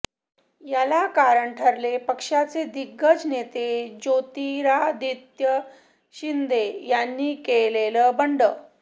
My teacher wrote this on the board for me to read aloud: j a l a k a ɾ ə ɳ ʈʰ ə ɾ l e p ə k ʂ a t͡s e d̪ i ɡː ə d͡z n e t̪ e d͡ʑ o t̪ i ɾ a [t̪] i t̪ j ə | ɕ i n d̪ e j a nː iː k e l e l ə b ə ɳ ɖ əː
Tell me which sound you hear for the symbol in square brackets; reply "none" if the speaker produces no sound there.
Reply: d̪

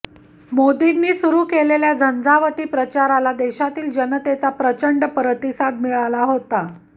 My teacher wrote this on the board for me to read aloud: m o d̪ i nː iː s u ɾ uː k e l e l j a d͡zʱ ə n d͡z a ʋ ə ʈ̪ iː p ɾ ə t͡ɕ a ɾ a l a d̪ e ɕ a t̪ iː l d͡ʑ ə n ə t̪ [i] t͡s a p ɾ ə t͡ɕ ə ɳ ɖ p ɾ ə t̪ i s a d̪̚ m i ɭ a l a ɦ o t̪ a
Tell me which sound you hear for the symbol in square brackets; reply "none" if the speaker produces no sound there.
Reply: e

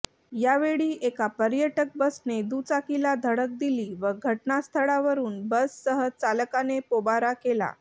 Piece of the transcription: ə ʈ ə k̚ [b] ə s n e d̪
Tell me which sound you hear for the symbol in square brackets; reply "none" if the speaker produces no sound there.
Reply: b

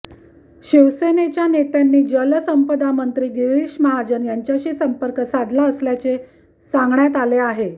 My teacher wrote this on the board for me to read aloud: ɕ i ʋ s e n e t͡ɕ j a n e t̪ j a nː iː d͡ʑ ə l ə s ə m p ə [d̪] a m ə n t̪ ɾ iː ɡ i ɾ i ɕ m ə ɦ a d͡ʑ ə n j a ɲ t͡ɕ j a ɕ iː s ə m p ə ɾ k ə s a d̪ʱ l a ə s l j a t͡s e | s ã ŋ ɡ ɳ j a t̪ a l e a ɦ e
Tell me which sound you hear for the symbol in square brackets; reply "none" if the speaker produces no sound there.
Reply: d̪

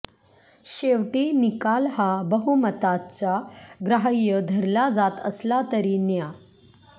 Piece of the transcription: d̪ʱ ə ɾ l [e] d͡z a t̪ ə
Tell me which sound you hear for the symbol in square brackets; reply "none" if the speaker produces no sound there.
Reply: a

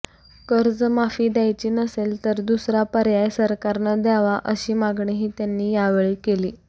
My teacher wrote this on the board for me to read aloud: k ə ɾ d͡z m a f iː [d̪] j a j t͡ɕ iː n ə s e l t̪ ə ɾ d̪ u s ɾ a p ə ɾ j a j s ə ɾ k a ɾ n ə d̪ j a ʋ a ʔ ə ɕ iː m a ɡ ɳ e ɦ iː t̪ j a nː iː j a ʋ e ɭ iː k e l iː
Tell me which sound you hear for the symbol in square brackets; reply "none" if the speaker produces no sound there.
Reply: d̪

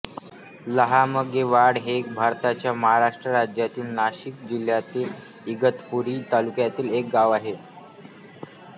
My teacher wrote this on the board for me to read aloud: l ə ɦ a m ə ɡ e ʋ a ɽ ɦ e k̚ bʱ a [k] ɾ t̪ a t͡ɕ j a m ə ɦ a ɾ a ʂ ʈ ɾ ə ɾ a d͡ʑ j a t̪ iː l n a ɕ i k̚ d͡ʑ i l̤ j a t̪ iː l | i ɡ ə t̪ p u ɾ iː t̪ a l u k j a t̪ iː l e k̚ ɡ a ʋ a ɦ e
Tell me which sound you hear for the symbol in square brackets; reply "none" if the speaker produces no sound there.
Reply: none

